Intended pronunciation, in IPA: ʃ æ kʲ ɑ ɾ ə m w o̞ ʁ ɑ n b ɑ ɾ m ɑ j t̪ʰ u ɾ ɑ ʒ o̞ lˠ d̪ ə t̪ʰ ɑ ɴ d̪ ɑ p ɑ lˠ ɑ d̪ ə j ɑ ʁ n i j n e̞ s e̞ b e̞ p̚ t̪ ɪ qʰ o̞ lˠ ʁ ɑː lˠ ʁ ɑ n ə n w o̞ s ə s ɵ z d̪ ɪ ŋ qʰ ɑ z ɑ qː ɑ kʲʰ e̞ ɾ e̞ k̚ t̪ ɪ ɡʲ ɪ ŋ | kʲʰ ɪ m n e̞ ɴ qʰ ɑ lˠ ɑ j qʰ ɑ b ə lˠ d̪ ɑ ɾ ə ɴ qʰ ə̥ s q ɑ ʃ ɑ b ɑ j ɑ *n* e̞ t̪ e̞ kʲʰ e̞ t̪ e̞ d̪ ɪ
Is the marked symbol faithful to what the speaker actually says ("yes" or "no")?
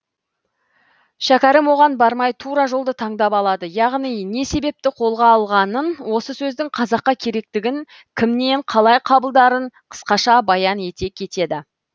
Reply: yes